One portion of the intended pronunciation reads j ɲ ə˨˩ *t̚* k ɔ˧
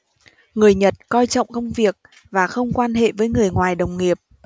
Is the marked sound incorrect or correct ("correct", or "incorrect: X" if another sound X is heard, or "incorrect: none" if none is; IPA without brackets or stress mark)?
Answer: correct